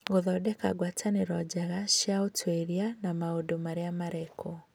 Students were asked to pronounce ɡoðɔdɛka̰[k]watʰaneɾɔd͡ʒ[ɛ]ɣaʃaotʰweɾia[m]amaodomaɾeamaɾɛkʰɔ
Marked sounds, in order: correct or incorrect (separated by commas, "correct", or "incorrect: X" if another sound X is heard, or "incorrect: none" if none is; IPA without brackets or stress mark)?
incorrect: ɡ, incorrect: a, incorrect: n